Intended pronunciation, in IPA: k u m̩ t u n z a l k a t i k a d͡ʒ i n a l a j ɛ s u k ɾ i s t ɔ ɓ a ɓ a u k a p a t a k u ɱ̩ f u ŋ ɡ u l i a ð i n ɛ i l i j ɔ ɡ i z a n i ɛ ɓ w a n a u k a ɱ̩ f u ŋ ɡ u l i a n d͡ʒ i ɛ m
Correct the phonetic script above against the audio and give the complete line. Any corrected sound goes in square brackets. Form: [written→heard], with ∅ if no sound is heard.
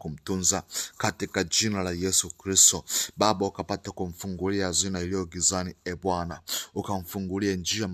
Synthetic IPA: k u m̩ t u n z a [l→∅] k a t i k a d͡ʒ i n a l a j ɛ s u k ɾ i s t ɔ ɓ a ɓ a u k a p a t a k u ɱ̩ f u ŋ ɡ u l i a [ð→z] i n [ɛ→a] i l i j ɔ ɡ i z a n i ɛ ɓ w a n a u k a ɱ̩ f u ŋ ɡ u l i a n d͡ʒ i [ɛ→a] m